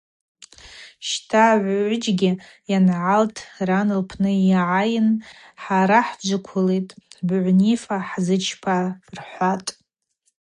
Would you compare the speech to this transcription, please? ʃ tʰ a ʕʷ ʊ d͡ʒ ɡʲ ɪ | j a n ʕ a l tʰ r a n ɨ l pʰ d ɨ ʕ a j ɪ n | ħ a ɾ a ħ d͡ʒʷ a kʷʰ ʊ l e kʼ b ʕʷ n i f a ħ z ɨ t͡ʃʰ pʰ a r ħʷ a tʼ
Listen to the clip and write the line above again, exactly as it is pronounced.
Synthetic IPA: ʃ tʰ a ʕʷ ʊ d͡ʒ ɡʲ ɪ | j a n ʕ a l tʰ r a n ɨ l pʰ n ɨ ʕ a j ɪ n | ħ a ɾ a ħ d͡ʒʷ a kʷʰ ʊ l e tʼ b ʕʷ n i f a ħ z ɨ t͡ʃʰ pʰ a r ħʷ a tʼ